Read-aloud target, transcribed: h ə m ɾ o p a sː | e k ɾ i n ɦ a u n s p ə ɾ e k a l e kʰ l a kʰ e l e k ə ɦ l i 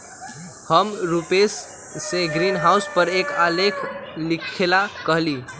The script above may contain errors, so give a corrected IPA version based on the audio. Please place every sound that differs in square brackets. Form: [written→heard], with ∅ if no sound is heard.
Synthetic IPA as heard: h ə m ɾ [o→u] p [a→e] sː | e [k→ɡ] ɾ i n ɦ a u [n→∅] s p ə ɾ e k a l e kʰ l [a→i] kʰ e l [e→a] k ə ɦ l i